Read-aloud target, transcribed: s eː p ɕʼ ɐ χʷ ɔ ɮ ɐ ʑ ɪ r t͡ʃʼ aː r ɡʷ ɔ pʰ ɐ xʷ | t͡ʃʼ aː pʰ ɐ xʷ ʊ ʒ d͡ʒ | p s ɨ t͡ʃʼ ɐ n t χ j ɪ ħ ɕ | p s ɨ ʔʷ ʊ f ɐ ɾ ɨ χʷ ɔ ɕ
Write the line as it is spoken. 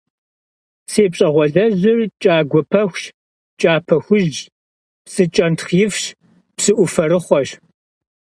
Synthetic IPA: s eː p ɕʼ ɐ ʁʷ ɔ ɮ ɐ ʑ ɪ r t͡ʃʼ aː ɡʷ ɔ pʰ ɐ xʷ | t͡ʃʼ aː pʰ ɐ xʷ ʊ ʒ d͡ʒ | p s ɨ t͡ʃʼ ɐ n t χ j ɪ f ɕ | p s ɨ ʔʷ ʊ f ɐ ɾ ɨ χʷ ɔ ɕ